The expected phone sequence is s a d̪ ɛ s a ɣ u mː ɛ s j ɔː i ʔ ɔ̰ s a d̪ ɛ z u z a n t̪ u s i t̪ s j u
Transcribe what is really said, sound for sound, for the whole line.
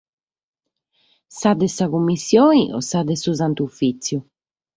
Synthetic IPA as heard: s a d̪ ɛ s a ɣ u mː i s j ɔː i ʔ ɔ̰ s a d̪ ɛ s u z a n t̪ u f i t̪ s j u

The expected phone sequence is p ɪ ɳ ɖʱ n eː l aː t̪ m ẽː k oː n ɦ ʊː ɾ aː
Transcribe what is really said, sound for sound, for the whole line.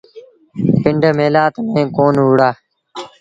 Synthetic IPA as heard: p ɪ ɳ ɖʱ m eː l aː t̪ m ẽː k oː n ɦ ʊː ɽ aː

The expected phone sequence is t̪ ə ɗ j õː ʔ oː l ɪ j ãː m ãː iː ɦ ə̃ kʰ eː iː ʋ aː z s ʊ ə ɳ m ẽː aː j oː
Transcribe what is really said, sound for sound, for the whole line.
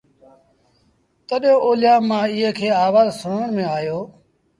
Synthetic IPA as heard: t̪ ə ɗ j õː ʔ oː l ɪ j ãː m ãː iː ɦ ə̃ kʰ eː aː ʋ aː z s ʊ ə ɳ m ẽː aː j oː

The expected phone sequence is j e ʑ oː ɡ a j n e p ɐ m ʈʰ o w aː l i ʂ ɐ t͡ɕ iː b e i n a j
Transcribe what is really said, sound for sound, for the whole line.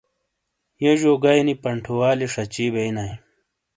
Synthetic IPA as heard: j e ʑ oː ɡ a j n i p ɐ ɳ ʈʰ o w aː l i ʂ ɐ t͡ɕ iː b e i n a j

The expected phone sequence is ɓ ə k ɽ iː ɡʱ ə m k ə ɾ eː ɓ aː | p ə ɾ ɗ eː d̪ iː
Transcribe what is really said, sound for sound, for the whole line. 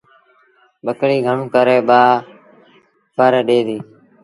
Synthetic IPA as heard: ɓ ə k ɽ iː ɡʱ ə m k ə ɾ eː ɓ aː | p ə ɾ ɗ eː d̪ iː

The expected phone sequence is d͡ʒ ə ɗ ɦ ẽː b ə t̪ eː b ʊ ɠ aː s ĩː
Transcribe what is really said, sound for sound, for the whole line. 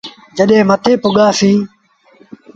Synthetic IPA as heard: d͡ʒ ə ɗ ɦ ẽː m ə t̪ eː p ʊ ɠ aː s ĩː

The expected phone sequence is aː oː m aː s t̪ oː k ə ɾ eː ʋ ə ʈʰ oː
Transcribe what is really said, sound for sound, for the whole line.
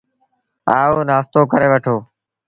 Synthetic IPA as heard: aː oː n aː s t̪ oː k ə ɾ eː ʋ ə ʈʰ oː

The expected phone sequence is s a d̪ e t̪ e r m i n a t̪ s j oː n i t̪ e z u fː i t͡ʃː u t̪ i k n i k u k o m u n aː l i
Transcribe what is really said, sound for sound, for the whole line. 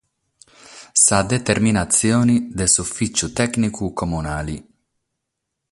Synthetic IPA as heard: s a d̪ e t̪ e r m i n a t̪ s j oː n i d̪ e s u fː i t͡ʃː u t̪ ɛ k n i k u k o m u n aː l i

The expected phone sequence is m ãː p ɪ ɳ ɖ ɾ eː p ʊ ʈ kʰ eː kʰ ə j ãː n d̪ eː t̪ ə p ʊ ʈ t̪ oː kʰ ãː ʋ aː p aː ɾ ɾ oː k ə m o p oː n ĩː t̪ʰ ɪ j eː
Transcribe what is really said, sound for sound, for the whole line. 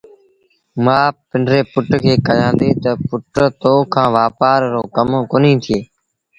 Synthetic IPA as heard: m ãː p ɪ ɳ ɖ ɾ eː p ʊ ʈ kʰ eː k ə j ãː n d̪ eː t̪ ə p ʊ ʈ t̪ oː kʰ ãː ʋ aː p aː ɾ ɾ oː k ə m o k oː n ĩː t̪ʰ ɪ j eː

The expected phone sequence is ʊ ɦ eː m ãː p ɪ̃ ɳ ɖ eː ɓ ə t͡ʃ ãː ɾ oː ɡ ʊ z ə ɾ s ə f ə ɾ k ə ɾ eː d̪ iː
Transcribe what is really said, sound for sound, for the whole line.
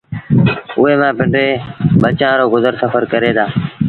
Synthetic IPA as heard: ʊ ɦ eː m ãː p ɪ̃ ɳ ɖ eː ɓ ə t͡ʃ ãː ɾ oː ɡ ʊ z ə ɾ s ə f ə ɾ k ə ɾ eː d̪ aː

